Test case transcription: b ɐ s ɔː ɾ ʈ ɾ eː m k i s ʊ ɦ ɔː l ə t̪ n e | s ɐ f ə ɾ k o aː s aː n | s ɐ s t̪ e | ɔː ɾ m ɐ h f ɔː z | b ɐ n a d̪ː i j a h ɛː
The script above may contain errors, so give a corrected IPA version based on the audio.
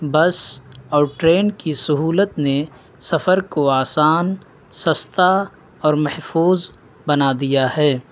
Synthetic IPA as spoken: b ɐ s ɔː ɾ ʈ ɾ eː n k i s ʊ ɦ uː l ə t̪ n e | s ɐ f ə ɾ k o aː s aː n | s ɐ s t̪ a | ɔː ɾ m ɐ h f uː z | b ɐ n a d̪ i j a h ɛː

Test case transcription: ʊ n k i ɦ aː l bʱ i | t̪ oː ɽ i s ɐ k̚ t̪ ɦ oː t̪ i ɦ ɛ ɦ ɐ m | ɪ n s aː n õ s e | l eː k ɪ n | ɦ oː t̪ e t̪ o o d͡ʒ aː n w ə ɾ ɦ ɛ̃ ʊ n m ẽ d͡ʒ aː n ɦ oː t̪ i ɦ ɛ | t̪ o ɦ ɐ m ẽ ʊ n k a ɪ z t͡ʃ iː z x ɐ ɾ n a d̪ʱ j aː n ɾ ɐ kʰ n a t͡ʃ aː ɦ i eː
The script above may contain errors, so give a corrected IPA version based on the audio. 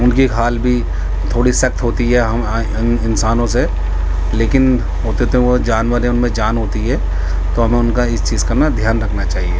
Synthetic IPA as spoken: ʊ n k i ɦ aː l bʱ i | t̪ʰ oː ɽ i s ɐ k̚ t̪ ɦ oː t̪ i ɦ ɛ ɦ ɐ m | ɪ n s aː n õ s e | l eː k ɪ n | ɦ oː t̪ e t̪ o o d͡ʒ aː n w ə ɾ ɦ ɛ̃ ʊ n m ẽ d͡ʒ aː n ɦ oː t̪ i ɦ ɛ | t̪ o ɦ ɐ m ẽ ʊ n k a ɪ s t͡ʃ iː z k ɐ ɾ n a d̪ʱ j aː n ɾ ɐ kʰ n a t͡ʃ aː ɦ i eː

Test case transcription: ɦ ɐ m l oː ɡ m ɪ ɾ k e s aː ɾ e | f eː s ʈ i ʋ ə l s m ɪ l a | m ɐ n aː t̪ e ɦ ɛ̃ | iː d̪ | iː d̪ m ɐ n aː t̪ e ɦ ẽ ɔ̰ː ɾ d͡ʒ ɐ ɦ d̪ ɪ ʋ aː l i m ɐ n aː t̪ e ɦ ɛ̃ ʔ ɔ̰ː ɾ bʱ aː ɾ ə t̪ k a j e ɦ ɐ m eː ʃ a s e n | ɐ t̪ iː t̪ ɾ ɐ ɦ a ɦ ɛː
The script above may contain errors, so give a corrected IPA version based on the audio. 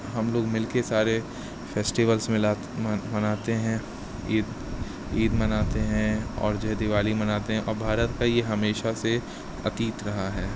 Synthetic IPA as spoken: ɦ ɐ m l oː ɡ m ɪ l k e s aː ɾ e | f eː s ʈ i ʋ ə l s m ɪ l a | m ɐ n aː t̪ e ɦ ɛ̃ | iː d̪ | iː d̪ m ɐ n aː t̪ e ɦ ɛ̃ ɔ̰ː ɾ d͡ʒ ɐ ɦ d̪ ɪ ʋ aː l i m ɐ n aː t̪ e ɦ ɛ̃ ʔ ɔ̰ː ɾ bʱ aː ɾ ə t̪ k a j e ɦ ɐ m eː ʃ a s e | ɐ t̪ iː t̪ ɾ ɐ ɦ a ɦ ɛː

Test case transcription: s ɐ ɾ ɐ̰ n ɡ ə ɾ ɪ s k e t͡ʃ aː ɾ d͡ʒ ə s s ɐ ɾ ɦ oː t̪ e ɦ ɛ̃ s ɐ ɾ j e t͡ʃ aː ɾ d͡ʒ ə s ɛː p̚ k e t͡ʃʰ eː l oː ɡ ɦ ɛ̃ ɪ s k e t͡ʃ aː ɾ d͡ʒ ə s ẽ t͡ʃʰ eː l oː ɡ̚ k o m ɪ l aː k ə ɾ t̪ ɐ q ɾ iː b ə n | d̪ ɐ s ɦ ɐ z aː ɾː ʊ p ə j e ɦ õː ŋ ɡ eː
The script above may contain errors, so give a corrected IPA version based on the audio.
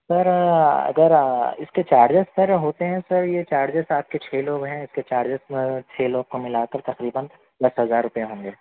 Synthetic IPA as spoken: s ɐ ɾ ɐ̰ ɡ ə ɾ ɪ s k e t͡ʃ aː ɾ d͡ʒ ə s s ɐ ɾ ɦ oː t̪ e ɦ ɛ̃ s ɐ ɾ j e t͡ʃ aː ɾ d͡ʒ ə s aː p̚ k e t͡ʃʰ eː l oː ɡ ɦ ɛ̃ ɪ s k e t͡ʃ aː ɾ d͡ʒ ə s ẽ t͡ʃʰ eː l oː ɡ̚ k o m ɪ l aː k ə ɾ t̪ ɐ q ɾ iː b ə n | d̪ ɐ s ɦ ɐ z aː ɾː ʊ p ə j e ɦ õː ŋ ɡ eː

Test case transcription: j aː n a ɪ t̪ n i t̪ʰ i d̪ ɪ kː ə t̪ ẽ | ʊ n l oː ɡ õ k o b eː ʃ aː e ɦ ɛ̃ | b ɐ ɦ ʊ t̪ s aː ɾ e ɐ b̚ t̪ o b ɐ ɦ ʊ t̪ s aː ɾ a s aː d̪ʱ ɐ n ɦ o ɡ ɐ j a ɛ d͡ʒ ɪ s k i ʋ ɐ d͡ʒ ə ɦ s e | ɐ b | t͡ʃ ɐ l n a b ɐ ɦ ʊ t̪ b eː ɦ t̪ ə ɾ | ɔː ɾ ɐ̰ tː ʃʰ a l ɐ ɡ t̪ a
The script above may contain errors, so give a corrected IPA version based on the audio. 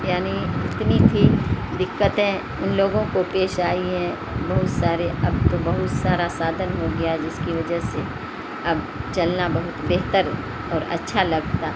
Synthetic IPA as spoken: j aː n i ɪ t̪ n i t̪ʰ i d̪ ɪ kː ə t̪ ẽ | ʊ n l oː ɡ õ k o p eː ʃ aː i ɦ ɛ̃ | b ɐ ɦ ʊ t̪ s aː ɾ e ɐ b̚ t̪ o b ɐ ɦ ʊ t̪ s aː ɾ a s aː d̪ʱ ə n ɦ o ɡ ɐ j a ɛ d͡ʒ ɪ s k i ʋ ɐ d͡ʒ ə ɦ s e | ɐ b | t͡ʃ ɐ l n a b ɐ ɦ ʊ t̪ b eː ɦ t̪ ə ɾ | ɔː ɾ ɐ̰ tː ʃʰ a l ɐ ɡ t̪ a

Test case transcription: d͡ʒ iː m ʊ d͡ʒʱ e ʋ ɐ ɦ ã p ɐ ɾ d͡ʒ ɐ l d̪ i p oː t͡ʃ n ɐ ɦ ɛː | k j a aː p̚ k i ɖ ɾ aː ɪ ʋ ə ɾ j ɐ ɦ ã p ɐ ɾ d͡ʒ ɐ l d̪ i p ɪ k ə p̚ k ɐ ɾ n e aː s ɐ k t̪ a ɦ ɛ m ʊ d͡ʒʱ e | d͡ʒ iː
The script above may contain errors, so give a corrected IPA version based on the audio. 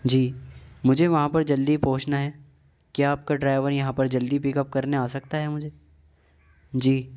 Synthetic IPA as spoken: d͡ʒ iː m ʊ d͡ʒʱ e ʋ ɐ ɦ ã p ɐ ɾ d͡ʒ ɐ l d̪ i p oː t͡ʃ n a ɦ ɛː | k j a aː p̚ k a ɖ ɾ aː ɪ ʋ ə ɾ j ɐ ɦ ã p ɐ ɾ d͡ʒ ɐ l d̪ i p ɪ k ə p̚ k ɐ ɾ n e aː s ɐ k t̪ a ɦ ɛ m ʊ d͡ʒʱ e | d͡ʒ iː

